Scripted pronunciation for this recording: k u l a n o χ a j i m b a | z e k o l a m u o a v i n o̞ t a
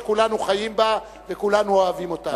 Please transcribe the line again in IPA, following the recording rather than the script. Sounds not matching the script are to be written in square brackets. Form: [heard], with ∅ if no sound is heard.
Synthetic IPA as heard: k u l a n [u] χ a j i m b a | [v] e k [u] l a [n] u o a v i [m] o̞ t a